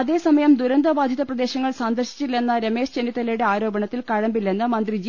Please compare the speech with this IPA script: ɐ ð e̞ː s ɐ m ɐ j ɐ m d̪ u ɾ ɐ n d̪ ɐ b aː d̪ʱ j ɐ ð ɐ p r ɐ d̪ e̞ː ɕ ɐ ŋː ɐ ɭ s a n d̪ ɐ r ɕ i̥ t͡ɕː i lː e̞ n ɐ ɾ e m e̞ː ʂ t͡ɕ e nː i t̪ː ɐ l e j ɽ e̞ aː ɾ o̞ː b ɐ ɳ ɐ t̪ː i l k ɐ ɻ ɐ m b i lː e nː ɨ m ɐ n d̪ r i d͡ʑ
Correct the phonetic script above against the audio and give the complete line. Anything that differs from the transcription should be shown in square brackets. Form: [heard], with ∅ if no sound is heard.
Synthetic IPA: ɐ ð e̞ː s ɐ m ɐ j ɐ m d̪ u ɾ ɐ n d̪ ɐ b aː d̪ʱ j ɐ ð ɐ p r ɐ d̪ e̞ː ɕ ɐ ŋː ɐ ɭ s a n d̪ ɐ r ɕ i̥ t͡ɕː i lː e̞ [nː] ɐ ɾ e m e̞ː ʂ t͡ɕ e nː i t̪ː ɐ l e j ɽ e̞ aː ɾ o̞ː b ɐ ɳ ɐ t̪ː i l k ɐ ɻ ɐ m b i lː e nː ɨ m ɐ n d̪ r i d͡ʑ